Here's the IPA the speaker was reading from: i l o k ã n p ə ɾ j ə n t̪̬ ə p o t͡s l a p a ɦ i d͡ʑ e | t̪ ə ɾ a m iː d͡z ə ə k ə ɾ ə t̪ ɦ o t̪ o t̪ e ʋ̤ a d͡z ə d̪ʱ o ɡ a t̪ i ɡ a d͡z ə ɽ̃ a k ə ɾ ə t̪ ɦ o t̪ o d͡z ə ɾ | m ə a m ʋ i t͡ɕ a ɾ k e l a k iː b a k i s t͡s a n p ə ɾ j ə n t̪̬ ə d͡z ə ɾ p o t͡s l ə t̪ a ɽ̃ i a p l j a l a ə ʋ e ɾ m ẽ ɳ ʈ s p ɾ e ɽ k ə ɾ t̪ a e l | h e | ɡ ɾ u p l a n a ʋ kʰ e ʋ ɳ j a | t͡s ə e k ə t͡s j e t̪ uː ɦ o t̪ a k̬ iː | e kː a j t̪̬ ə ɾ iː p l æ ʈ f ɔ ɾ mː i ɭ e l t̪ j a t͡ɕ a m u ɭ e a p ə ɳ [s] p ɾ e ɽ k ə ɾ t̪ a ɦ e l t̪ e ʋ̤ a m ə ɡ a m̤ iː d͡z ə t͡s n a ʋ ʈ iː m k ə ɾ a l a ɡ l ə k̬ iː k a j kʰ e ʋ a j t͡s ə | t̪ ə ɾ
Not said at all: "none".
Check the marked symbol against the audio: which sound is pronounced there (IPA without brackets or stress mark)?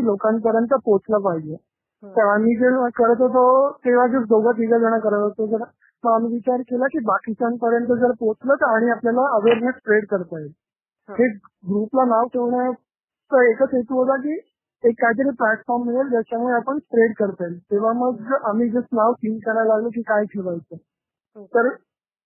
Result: s